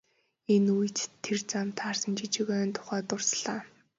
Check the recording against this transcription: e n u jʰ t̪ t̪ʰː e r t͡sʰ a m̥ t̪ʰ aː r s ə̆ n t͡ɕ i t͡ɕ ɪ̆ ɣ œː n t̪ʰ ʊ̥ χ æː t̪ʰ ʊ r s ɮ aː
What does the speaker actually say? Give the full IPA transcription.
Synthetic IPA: e n u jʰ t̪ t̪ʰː e r t͡s a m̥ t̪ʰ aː r s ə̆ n t͡ɕ i t͡ɕ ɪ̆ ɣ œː n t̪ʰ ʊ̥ χ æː t̪ ʊ r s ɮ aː